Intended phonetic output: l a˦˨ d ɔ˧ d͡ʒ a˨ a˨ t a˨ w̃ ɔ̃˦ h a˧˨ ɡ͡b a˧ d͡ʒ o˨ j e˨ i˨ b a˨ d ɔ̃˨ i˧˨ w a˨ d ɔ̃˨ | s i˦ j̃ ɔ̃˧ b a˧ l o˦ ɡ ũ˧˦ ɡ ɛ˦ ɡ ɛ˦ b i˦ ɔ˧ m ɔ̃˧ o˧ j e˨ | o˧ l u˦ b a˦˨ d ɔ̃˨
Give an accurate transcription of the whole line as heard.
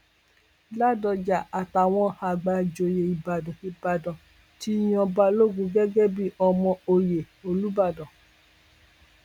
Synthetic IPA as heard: l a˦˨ d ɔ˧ d͡ʒ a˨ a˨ t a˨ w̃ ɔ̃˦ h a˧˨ ɡ͡b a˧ d͡ʒ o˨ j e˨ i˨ b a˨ d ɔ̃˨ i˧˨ b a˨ d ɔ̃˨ | t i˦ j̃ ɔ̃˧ b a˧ l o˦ ɡ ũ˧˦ ɡ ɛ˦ ɡ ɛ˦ b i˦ ɔ˧ m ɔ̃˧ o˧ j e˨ | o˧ l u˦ b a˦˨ d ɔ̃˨